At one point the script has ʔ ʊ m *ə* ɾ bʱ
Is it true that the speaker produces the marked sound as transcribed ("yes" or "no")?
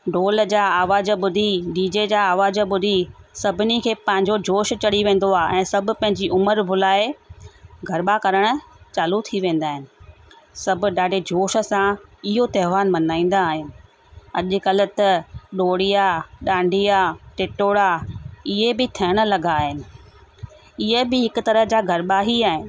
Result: yes